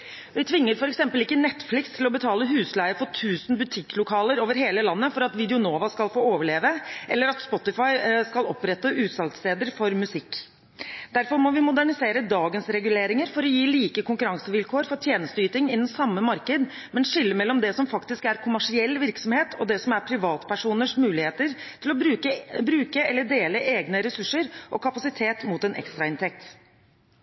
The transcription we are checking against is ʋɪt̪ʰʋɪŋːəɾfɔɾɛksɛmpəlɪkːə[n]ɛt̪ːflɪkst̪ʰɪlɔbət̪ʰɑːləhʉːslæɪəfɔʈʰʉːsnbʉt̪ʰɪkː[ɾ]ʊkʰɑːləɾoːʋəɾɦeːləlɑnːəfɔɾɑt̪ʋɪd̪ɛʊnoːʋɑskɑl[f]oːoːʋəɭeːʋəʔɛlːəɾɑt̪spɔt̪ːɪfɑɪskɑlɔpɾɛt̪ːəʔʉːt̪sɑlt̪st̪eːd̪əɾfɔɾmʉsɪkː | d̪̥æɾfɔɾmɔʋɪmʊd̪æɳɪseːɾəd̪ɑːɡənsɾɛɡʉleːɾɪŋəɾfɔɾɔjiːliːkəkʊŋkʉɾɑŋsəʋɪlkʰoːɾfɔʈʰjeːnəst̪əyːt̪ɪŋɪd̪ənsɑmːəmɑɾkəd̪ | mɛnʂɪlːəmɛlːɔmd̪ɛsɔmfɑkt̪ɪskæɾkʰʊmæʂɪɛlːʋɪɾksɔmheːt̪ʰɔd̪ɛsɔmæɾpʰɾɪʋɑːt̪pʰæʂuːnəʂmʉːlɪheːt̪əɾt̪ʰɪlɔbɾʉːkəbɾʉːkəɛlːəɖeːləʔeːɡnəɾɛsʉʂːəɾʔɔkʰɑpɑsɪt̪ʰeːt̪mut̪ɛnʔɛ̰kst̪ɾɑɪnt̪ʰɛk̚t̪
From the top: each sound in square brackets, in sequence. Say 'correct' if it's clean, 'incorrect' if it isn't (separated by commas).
correct, incorrect, correct